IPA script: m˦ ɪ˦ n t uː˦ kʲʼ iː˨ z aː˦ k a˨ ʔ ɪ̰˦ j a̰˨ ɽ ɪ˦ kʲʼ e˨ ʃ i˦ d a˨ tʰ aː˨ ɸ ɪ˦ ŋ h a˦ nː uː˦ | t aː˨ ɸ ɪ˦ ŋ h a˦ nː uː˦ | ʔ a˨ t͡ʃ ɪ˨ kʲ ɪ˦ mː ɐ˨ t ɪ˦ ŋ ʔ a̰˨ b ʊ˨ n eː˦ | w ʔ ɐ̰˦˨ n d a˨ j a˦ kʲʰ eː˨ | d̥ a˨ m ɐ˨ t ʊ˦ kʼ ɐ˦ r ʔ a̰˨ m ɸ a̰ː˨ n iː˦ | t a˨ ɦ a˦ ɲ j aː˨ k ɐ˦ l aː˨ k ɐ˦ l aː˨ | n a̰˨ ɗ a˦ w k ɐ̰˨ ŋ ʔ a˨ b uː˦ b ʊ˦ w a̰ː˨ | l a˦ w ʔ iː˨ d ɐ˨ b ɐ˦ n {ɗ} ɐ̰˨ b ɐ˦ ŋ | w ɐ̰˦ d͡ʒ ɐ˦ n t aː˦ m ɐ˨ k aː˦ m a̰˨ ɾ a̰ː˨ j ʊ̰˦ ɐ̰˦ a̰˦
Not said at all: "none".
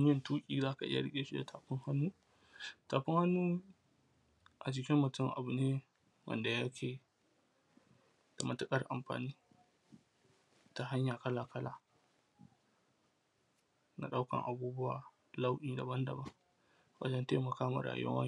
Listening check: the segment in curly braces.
d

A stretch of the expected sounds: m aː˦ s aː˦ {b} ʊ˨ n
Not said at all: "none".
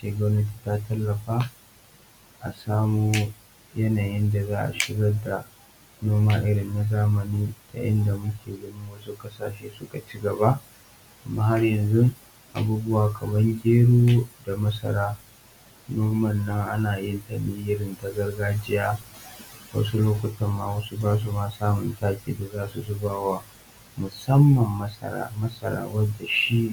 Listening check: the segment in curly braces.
m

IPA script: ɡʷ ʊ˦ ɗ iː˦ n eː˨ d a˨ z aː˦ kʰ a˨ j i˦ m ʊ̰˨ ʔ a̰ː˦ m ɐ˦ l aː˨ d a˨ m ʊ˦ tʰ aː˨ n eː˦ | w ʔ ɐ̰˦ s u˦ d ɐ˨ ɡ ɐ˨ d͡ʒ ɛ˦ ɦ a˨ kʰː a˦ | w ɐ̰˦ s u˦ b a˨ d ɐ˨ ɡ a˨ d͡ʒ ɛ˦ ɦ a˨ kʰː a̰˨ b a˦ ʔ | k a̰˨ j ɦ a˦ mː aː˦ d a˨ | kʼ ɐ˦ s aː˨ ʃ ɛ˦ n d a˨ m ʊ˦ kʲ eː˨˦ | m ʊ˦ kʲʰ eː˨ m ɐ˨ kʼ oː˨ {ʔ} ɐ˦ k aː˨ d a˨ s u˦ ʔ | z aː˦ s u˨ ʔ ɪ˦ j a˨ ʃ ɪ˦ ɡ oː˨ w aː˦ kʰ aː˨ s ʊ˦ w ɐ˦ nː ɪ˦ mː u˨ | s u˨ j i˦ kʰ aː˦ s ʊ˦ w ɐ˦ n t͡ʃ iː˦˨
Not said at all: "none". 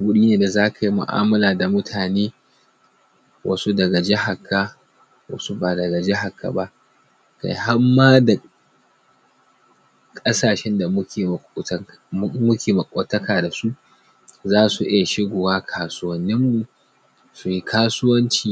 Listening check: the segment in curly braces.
t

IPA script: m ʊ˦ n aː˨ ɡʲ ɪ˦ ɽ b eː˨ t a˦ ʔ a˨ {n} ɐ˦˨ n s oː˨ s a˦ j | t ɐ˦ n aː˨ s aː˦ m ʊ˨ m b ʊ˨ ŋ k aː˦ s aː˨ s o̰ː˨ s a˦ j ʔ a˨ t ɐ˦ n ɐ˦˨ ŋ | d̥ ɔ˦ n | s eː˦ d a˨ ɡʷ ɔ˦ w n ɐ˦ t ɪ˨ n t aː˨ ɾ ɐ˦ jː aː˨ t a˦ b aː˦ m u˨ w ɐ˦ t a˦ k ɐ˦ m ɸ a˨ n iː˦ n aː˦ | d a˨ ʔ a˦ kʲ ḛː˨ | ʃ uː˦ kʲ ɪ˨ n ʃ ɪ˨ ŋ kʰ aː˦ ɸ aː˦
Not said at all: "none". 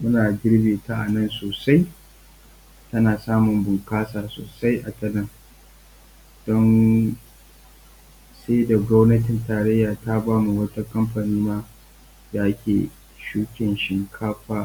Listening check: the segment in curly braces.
n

